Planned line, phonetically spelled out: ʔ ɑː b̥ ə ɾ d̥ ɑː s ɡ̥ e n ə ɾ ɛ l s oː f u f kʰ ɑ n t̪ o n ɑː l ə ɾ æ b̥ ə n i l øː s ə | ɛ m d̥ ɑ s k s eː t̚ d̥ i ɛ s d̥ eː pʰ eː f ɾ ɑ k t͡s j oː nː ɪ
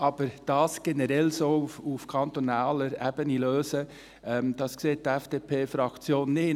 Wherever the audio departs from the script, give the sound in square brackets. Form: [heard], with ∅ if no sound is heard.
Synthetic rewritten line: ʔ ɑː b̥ ə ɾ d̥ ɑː s ɡ̥ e n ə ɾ ɛ l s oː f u f kʰ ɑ n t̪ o n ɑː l ə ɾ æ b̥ ə n i l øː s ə | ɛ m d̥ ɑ s k s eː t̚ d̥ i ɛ [f] d̥ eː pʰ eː f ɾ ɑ k t͡s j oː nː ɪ